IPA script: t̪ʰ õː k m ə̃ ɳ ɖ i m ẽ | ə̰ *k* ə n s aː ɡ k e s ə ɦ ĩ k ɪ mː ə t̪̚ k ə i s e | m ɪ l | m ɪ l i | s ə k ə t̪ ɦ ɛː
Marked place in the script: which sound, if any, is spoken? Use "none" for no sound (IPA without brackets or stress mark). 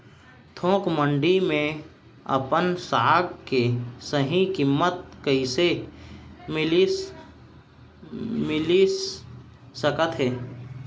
p